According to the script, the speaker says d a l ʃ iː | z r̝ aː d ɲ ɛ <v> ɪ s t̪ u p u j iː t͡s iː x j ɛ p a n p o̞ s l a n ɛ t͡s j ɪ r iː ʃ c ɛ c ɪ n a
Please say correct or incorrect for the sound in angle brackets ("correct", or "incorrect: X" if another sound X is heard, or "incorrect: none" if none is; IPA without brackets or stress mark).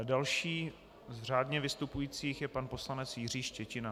correct